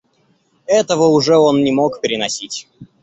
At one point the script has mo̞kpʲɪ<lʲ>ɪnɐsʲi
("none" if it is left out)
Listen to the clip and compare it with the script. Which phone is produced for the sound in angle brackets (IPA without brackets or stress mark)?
ɾʲ